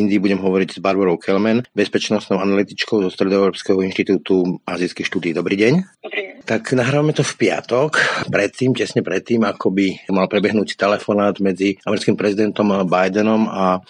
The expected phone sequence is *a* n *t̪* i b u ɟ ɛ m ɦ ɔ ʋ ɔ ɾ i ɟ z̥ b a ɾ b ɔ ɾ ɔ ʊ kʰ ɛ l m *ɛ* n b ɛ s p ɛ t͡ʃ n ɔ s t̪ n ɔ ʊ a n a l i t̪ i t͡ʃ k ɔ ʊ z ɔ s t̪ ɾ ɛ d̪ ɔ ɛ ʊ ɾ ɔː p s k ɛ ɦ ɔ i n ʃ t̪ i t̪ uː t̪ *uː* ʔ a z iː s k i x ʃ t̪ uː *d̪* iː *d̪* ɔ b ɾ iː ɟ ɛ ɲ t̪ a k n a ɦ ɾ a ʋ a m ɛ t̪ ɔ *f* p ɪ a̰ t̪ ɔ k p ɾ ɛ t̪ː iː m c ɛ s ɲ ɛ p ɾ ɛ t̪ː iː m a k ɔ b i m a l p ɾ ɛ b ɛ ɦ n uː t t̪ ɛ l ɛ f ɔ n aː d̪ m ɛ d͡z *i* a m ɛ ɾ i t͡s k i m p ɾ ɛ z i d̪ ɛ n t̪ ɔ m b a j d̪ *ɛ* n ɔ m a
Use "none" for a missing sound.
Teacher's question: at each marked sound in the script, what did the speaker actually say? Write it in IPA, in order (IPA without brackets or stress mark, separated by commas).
i, d̪, ɛ, u, d̪, d̪, f, i, ɛ